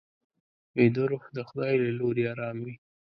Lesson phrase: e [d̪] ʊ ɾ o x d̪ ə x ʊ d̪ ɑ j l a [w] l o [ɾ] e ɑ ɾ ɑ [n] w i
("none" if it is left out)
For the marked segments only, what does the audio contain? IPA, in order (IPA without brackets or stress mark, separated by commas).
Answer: d̪, none, ɾ, m